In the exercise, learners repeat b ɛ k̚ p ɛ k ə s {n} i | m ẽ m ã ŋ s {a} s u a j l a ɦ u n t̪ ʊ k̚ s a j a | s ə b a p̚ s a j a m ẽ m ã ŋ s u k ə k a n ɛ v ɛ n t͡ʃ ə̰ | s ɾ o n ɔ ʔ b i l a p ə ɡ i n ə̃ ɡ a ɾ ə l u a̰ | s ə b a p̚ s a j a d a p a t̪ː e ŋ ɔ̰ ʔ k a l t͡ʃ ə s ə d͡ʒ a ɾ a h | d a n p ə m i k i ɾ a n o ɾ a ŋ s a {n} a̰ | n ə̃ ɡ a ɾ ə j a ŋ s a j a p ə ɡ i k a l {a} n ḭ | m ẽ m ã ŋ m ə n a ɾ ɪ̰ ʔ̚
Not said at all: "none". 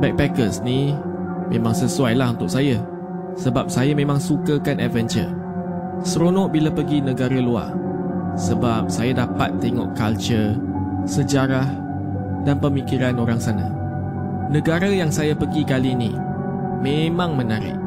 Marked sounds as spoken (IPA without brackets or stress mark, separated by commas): n, ə, n, i